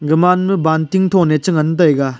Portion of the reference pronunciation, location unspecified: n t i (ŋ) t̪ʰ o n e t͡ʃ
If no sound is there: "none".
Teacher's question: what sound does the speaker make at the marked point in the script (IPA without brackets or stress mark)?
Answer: ŋ